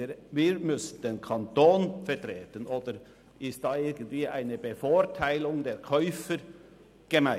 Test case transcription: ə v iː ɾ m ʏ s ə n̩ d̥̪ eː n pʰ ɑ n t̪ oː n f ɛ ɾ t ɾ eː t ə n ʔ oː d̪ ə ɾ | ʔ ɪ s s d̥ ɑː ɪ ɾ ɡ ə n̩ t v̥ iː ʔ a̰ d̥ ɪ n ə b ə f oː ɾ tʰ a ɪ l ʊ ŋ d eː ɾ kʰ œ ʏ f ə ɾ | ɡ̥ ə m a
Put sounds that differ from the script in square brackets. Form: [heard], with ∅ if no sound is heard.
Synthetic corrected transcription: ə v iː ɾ m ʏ s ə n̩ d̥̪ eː n [kʰ] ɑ n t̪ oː n f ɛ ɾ t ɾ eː t ə n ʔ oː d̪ ə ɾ | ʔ ɪ s [t] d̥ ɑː ɪ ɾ ɡ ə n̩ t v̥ iː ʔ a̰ [∅] ɪ n ə b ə f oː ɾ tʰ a ɪ l ʊ ŋ d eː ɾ kʰ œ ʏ f ə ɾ | ɡ̥ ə m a

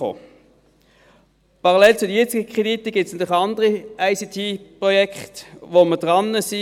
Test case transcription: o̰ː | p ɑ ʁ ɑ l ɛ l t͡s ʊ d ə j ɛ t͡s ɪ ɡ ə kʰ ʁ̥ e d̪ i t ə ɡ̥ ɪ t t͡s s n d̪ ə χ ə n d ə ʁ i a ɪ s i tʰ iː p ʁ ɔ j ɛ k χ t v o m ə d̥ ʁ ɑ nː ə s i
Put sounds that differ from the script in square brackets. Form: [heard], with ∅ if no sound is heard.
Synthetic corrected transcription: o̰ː | p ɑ ʁ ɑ l ɛ l t͡s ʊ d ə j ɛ t͡s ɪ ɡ ə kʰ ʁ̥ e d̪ i t ə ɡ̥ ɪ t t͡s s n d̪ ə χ [ɑ] n d ə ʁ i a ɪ s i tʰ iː p ʁ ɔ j ɛ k χ t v o m ə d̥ ʁ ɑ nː ə s i

